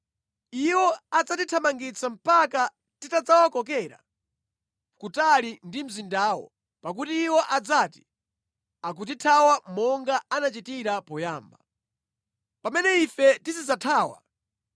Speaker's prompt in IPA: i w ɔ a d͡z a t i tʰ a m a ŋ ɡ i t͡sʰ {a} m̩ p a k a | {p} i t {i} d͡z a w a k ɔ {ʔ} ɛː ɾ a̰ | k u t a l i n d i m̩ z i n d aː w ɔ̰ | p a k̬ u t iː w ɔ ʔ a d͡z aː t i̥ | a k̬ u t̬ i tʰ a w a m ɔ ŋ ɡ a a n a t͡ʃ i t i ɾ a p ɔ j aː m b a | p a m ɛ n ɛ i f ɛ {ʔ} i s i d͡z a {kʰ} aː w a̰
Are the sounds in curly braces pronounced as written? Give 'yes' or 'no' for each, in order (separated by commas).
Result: yes, no, no, no, no, no